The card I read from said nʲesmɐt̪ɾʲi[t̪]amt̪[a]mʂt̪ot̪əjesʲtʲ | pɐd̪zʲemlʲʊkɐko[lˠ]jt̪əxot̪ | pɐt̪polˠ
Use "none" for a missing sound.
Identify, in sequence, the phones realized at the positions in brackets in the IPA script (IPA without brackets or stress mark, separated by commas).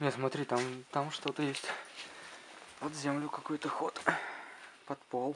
t̪, a, none